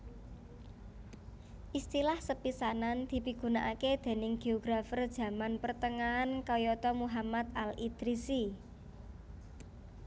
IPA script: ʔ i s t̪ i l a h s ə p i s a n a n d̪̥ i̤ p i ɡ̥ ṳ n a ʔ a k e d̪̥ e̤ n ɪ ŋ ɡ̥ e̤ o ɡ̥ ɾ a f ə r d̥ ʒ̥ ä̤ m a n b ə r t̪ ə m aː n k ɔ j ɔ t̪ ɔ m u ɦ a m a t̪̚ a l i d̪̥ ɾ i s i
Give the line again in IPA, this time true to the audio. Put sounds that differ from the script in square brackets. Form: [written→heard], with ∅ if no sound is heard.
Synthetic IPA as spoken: ʔ i s t̪ i l a h s ə p i s a n a n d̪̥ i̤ p i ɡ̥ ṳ n a ʔ a k e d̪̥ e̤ n ɪ ŋ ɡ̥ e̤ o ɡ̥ ɾ a f ə r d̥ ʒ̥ ä̤ m a n [b→p] ə r t̪ ə [m→ŋ] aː n k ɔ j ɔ t̪ ɔ m u ɦ a m a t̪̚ a l i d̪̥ ɾ i s i